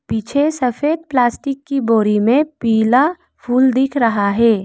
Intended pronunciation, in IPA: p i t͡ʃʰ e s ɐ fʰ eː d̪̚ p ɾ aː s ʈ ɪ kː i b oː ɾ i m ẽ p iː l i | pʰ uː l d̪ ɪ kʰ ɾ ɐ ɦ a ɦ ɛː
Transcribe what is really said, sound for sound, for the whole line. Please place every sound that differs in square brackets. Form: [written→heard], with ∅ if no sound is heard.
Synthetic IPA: p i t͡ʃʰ e s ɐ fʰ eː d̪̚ p [ɾ→l] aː s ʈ ɪ kː i b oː ɾ i m ẽ p iː l [i→a] | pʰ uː l d̪ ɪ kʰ ɾ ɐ ɦ a ɦ ɛː